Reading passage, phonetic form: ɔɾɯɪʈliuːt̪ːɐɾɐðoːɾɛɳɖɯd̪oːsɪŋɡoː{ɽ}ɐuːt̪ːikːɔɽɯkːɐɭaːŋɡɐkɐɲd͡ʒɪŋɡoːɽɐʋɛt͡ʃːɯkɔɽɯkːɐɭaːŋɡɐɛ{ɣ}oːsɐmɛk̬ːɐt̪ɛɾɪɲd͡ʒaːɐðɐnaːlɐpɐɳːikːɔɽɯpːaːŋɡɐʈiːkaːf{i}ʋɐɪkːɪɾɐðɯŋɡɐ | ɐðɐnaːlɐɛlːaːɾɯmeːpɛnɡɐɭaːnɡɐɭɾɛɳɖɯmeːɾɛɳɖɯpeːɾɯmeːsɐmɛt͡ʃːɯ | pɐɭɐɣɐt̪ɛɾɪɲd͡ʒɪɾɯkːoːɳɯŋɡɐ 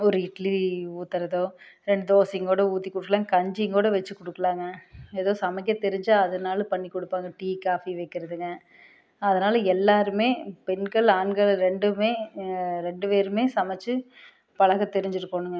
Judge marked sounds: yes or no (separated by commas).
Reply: yes, no, yes